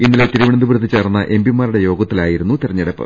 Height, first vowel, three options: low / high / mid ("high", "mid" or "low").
high